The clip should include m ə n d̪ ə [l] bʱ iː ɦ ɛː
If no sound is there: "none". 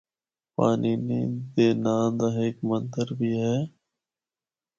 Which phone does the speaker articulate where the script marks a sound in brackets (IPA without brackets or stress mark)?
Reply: ɾ